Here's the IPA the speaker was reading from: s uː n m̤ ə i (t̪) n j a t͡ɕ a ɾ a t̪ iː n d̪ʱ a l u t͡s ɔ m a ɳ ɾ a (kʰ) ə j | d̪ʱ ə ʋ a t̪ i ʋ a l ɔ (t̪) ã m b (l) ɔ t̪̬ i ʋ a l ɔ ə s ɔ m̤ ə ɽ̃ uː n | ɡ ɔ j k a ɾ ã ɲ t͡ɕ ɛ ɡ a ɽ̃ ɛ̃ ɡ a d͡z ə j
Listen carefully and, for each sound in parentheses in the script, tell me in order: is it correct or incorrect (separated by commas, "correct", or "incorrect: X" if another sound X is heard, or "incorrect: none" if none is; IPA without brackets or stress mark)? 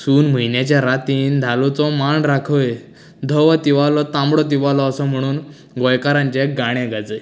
incorrect: none, correct, correct, incorrect: ɽ